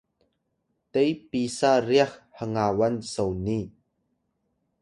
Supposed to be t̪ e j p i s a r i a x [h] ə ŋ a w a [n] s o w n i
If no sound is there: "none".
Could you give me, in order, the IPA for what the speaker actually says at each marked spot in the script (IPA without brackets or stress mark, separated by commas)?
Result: h, n